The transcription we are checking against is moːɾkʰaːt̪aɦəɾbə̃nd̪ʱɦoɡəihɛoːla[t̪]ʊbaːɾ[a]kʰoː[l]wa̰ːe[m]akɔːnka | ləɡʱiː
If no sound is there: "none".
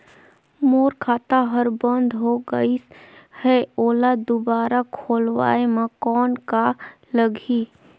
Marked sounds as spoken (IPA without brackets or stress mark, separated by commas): d̪, a, l, m